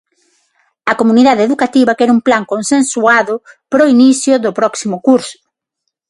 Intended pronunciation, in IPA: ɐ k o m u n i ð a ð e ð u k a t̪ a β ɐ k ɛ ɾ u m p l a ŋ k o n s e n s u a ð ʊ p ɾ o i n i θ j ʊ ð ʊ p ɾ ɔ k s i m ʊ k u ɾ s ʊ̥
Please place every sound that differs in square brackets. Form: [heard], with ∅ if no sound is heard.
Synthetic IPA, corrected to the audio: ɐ k o m u n i ð a ð e ð u k a t̪ [i] β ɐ k ɛ ɾ u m p l a ŋ k o n s e n s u a ð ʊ p ɾ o i n i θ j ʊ ð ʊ p ɾ ɔ k s i m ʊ k u ɾ s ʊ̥